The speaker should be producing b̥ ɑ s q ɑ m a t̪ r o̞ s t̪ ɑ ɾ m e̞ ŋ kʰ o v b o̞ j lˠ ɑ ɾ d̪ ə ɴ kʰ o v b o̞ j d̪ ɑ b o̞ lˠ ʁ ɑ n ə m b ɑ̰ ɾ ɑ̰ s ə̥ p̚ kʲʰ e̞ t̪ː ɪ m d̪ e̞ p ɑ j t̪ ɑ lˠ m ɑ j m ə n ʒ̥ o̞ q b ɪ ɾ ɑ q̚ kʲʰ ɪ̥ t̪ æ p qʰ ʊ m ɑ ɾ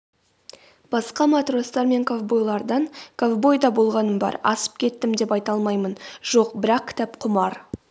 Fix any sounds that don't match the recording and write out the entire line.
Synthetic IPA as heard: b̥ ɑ s q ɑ m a t̪ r o̞ s t̪ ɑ ɾ m e̞ ŋ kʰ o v b o̞ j lˠ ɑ ɾ d̪ ɑ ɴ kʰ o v b o̞ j d̪ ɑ b o̞ lˠ ʁ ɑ n ə m b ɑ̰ ɾ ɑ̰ s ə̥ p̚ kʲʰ e̞ t̪ː ɪ m d̪ e̞ p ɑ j t̪ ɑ lˠ m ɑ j m ə n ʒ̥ o̞ q b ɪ ɾ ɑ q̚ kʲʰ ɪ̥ t̪ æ p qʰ ʊ m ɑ ɾ